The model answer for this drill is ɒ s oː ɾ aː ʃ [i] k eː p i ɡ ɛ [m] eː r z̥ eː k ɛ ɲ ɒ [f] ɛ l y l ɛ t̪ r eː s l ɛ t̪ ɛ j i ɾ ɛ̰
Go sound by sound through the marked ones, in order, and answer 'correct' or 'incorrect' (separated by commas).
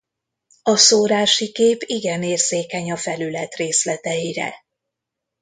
correct, incorrect, correct